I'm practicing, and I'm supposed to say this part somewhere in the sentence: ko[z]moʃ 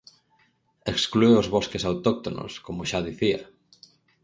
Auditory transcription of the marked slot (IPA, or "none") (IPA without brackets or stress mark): none